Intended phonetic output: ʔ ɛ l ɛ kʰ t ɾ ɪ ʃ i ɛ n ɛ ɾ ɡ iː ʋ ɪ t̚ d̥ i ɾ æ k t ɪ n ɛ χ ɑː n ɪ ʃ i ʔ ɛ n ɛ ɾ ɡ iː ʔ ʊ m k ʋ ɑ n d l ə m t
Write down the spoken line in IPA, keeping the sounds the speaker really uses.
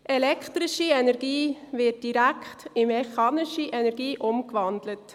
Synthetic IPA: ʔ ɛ l ɛ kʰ t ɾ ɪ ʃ i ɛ n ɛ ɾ ɡ iː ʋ ɪ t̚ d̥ i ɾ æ k t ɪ m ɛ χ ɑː n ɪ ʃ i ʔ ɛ n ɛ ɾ ɡ iː ʔ ʊ m k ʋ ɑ n d l ə t